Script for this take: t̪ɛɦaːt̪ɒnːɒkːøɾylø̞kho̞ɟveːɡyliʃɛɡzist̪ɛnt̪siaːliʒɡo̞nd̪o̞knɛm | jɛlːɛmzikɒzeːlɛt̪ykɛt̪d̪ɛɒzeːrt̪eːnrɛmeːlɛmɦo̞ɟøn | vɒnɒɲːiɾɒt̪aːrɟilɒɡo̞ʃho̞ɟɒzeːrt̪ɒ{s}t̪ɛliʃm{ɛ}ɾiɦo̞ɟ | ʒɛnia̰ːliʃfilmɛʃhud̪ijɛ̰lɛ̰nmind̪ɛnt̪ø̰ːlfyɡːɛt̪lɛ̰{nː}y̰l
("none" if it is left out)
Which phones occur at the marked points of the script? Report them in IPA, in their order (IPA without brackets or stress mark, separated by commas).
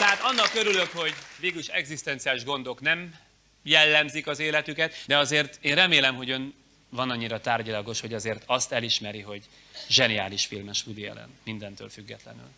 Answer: s, ɛ, n